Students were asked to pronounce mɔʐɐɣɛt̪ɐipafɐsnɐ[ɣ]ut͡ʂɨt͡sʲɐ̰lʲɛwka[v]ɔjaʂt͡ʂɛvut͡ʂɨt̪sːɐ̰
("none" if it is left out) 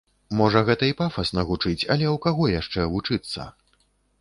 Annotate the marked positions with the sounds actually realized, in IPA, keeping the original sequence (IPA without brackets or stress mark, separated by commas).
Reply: ɣ, ɣ